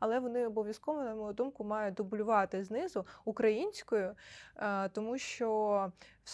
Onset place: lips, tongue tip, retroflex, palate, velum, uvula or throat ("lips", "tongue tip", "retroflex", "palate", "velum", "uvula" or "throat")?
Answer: tongue tip